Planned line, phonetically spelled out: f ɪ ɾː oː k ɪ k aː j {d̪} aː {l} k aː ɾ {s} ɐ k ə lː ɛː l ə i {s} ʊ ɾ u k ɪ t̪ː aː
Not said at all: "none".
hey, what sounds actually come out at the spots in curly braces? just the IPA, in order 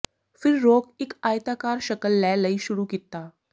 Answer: t̪, none, ʃ, ʃ

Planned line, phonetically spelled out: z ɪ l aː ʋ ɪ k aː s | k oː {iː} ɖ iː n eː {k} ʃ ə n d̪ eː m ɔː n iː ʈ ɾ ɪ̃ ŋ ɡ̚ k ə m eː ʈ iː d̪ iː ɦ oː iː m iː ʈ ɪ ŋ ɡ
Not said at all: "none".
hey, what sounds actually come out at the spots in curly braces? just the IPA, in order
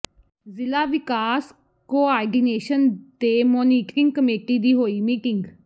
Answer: aː, none

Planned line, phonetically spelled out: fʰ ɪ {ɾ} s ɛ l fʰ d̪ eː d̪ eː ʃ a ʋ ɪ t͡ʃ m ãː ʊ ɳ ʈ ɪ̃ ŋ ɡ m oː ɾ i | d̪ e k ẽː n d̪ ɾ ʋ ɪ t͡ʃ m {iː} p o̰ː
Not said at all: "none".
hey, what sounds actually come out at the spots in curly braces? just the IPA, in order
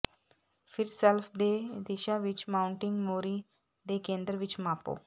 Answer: ɾ, aː

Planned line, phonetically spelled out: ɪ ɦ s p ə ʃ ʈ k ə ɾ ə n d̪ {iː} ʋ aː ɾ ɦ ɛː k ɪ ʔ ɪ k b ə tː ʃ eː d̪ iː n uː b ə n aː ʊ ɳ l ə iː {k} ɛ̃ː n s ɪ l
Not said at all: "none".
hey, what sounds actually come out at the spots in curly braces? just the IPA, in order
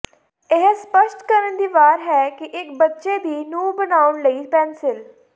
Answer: iː, p

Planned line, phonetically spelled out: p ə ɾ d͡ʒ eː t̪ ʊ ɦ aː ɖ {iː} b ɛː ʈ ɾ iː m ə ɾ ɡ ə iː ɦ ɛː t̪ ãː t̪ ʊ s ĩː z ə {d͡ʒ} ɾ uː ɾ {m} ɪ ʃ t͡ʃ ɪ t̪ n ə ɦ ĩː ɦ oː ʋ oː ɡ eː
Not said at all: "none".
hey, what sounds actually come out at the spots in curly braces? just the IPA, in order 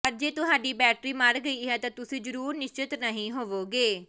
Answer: iː, none, n

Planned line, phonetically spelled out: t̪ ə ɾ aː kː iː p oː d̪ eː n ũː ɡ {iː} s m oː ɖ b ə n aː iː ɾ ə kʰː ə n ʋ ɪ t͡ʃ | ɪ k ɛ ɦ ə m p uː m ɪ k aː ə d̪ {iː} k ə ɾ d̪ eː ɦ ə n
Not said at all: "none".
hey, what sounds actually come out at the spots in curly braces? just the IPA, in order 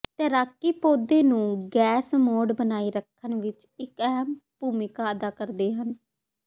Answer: ɛː, aː

